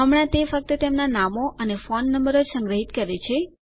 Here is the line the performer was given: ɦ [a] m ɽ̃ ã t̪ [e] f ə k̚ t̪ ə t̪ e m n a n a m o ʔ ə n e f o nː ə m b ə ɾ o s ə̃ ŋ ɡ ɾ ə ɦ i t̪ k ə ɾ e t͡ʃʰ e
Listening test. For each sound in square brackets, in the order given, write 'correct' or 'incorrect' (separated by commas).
incorrect, correct